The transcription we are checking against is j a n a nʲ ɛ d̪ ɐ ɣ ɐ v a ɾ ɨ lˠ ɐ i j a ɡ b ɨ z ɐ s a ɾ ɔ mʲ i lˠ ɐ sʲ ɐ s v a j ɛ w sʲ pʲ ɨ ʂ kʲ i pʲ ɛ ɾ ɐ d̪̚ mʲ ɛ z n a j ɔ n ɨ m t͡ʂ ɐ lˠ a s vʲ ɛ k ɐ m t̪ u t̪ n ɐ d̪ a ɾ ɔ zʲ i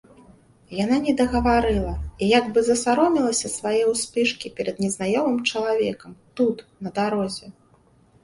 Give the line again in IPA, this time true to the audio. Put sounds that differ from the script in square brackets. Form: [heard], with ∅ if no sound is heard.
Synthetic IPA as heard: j a n a nʲ ɛ d̪ ɐ ɣ ɐ v a ɾ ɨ lˠ ɐ i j a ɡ b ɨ z ɐ s a ɾ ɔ mʲ i lˠ ɐ sʲ ɐ s v a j ɛ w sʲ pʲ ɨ ʂ kʲ i pʲ ɛ ɾ ɐ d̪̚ [nʲ] ɛ z n a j ɔ [m] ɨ m t͡ʂ ɐ lˠ a [∅] vʲ ɛ k ɐ m t̪ u t̪ n ɐ d̪ a ɾ ɔ zʲ [ɛ]